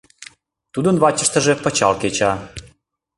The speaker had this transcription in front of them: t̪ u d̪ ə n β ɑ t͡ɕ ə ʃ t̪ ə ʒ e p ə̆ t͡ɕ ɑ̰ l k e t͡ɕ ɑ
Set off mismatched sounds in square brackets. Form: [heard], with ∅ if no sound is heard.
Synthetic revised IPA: t̪ u d̪ ə n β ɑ t͡ɕ ə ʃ t̪ ə ʒ e p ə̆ t͡ɕ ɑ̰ l k e t͡ɕ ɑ